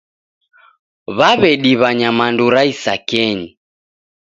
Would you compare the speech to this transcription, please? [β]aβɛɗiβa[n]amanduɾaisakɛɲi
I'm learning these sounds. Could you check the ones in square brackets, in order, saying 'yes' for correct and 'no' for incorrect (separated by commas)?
yes, no